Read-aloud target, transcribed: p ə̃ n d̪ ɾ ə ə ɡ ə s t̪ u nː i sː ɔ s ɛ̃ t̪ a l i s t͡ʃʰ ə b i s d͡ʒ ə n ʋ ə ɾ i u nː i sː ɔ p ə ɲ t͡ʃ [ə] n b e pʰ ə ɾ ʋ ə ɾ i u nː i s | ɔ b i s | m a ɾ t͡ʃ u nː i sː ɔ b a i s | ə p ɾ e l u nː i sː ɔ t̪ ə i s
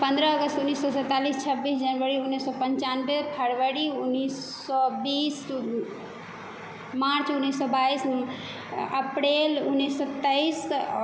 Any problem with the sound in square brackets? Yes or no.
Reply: yes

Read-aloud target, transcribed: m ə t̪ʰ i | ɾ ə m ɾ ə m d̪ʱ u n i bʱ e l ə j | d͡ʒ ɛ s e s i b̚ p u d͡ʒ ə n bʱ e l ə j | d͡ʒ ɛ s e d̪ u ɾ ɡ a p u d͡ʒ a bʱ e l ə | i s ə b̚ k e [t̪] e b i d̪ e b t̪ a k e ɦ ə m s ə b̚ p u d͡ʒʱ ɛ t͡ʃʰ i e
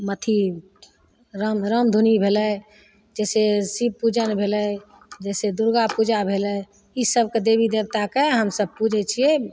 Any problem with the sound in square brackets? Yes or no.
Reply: yes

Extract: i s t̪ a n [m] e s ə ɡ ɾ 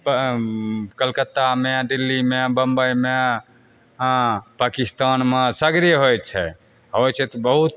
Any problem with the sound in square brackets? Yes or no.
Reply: no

